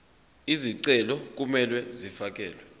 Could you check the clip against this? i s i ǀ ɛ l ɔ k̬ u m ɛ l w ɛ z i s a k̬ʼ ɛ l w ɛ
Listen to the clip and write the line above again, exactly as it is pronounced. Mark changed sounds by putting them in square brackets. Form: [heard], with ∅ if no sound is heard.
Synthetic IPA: i [z] i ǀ ɛ l ɔ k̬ u m ɛ l w ɛ z i [f] a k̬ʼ [ɛː] l w ɛ